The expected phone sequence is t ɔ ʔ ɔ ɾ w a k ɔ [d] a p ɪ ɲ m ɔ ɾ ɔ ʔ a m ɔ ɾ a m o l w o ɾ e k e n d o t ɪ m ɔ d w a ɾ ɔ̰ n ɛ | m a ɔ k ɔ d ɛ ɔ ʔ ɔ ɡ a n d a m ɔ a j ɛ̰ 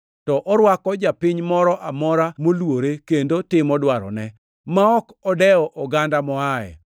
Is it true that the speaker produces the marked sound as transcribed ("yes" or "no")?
no